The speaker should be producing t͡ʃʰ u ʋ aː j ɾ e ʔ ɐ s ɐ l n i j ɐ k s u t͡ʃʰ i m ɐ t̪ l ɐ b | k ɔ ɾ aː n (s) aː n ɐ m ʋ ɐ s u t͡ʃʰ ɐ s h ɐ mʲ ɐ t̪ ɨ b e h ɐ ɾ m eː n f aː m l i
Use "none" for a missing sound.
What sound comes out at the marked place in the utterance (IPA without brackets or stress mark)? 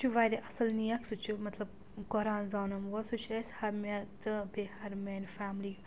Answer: z